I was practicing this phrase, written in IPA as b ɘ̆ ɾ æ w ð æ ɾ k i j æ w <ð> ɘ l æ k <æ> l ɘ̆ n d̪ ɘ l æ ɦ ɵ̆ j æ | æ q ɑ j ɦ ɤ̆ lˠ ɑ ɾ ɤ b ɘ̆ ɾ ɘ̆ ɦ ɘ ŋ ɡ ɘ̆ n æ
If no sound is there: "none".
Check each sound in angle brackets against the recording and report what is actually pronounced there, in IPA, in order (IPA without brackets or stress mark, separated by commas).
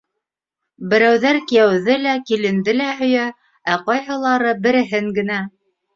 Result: ð, i